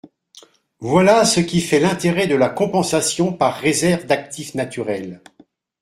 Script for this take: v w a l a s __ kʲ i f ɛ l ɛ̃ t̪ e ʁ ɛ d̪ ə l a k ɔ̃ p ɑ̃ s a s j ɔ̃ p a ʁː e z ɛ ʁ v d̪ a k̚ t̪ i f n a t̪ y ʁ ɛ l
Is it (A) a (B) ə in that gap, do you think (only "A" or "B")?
B